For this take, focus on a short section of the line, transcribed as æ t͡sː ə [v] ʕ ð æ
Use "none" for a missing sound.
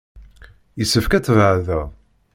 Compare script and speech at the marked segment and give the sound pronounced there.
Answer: v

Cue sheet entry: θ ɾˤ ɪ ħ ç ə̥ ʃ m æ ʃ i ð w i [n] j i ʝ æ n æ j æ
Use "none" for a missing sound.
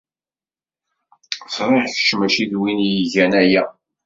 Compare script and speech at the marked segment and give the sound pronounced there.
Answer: n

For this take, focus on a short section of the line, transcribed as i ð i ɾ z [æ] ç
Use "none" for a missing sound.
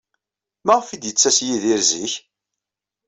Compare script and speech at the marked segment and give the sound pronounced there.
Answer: i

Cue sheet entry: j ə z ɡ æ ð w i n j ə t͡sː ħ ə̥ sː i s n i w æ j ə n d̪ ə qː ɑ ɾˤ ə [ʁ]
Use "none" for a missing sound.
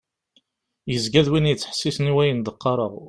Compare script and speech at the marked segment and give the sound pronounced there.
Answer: ʁ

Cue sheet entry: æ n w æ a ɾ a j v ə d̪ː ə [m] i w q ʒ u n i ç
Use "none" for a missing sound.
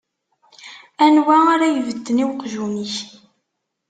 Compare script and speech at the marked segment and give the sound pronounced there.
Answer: n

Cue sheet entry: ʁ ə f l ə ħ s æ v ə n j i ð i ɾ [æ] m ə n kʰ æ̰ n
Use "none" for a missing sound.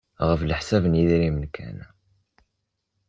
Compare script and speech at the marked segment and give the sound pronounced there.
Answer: i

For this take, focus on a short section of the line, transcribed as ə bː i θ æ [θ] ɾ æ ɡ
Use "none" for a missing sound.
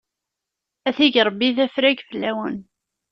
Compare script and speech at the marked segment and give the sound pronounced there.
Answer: f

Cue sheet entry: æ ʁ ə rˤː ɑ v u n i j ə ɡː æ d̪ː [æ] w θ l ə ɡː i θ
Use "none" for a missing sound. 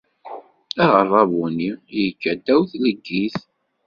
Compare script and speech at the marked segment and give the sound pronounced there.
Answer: æ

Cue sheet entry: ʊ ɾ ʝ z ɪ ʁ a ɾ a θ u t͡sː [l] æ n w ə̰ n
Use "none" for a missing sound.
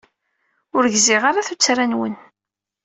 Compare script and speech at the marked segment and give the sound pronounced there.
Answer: ɾ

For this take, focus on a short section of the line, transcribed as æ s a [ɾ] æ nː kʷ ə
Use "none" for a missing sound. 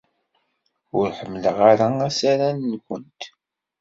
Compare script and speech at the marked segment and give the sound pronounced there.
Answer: ɾ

